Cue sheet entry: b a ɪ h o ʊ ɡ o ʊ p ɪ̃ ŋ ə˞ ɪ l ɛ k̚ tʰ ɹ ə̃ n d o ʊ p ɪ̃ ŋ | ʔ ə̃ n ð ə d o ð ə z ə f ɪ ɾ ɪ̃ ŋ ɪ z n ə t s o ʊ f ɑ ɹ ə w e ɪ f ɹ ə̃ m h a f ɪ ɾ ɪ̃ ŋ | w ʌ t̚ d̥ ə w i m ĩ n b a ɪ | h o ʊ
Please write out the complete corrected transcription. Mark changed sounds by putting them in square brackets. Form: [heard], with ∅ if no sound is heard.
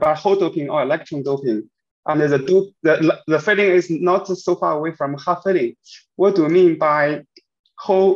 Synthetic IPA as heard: b a ɪ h o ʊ [d] o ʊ p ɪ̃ ŋ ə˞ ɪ l ɛ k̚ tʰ ɹ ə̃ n d o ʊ p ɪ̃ ŋ | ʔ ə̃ n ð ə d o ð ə [ð] ə f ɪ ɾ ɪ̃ ŋ ɪ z n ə t s o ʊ f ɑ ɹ ə w e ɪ f ɹ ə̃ m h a f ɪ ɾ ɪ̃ ŋ | w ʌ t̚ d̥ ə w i m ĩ n b a ɪ | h o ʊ